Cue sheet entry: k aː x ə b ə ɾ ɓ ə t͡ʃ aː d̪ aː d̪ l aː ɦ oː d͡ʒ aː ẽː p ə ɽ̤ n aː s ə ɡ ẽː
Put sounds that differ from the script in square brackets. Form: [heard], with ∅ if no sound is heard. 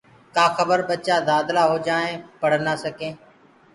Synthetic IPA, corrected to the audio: k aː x ə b ə ɾ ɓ ə t͡ʃ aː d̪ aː d̪ l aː ɦ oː d͡ʒ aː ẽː p ə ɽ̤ n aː s ə [k] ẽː